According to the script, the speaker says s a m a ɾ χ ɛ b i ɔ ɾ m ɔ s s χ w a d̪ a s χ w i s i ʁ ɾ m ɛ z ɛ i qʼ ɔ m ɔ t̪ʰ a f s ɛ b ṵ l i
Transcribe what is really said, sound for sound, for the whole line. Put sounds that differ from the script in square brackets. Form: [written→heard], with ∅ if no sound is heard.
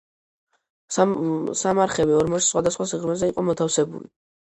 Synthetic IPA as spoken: s a m a ɾ χ ɛ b i ɔ ɾ m ɔ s s χ w a d̪ a s χ w [i→a] s i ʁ ɾ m ɛ z ɛ i qʼ ɔ m ɔ t̪ʰ a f s ɛ b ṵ l i